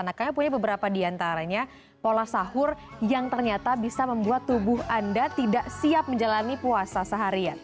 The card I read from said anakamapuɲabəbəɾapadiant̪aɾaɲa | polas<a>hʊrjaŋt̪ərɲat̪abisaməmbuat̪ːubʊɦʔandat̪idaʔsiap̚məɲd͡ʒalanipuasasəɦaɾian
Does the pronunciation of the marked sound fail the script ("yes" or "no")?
no